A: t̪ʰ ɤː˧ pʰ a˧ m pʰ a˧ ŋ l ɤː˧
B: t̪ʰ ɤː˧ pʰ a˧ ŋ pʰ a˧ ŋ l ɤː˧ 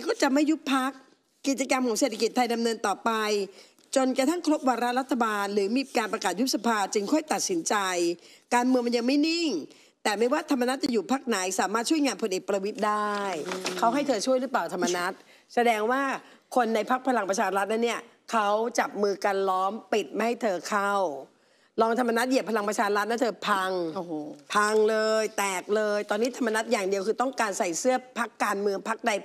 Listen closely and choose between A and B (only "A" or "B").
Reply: B